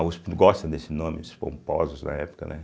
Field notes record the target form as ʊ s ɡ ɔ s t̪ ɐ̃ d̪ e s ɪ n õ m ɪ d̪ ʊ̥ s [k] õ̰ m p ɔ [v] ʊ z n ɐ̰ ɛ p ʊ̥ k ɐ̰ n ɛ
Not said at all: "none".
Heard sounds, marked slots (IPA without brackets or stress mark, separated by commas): p, z